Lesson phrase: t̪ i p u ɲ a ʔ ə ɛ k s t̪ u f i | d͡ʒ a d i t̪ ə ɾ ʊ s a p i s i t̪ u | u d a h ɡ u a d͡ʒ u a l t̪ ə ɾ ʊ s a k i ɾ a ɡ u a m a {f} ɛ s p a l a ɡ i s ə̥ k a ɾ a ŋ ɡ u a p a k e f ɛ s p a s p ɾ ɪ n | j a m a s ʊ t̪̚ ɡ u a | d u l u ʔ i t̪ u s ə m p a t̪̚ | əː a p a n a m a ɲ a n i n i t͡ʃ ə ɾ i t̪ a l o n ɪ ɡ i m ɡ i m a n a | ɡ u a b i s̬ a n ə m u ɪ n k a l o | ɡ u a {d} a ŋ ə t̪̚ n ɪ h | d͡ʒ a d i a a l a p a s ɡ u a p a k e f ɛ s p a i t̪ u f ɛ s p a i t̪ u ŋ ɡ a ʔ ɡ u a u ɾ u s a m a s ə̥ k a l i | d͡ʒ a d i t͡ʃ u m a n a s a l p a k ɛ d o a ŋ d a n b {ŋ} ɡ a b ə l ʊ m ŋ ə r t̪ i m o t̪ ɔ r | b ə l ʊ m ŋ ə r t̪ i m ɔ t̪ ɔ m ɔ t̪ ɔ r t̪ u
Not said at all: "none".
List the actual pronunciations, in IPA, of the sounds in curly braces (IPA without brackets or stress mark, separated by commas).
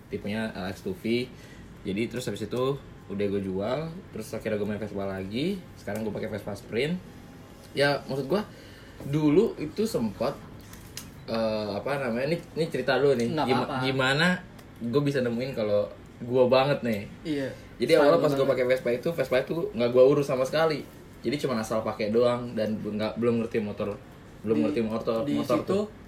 f, b, ŋ